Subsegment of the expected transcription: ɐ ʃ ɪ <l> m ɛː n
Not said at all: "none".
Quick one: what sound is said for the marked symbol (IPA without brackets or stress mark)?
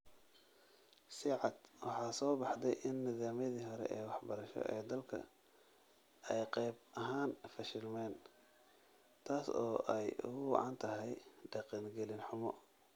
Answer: l